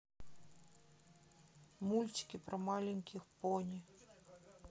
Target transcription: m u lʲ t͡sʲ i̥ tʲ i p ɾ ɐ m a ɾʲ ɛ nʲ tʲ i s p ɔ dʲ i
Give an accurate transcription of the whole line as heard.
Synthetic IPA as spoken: m u lʲ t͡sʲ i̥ kʲ i p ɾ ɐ m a lʲ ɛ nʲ kʲ i x p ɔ nʲ i